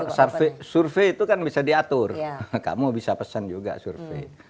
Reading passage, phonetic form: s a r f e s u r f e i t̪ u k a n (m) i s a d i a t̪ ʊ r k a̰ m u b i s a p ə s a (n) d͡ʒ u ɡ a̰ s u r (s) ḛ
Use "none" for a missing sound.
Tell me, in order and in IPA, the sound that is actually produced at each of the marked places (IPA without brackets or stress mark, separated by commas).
b, n, f